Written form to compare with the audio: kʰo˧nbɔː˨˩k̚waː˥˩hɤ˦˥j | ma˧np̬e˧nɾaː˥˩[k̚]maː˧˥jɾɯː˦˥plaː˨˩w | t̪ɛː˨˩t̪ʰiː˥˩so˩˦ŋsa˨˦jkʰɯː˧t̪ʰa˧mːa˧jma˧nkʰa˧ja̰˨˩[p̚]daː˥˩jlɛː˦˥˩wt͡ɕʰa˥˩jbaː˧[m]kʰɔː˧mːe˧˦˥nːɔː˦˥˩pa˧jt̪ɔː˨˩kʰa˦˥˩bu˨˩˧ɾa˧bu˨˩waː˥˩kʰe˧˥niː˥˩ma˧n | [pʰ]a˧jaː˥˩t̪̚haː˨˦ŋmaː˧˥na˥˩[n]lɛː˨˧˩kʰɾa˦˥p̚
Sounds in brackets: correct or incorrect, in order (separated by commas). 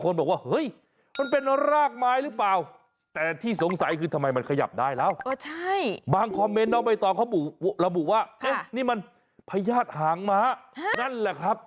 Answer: correct, correct, incorrect, correct, correct